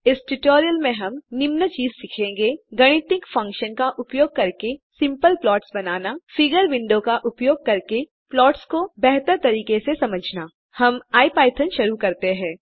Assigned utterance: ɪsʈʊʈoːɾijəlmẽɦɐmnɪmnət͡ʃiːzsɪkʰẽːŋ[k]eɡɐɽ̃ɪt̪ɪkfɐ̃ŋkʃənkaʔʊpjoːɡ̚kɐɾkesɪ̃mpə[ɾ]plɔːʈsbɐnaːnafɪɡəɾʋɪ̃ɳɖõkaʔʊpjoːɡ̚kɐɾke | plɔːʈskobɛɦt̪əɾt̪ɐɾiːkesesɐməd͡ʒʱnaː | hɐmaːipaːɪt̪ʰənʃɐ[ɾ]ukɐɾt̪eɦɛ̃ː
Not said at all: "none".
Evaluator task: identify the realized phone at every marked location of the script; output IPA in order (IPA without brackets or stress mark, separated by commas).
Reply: ɡ, l, ɾ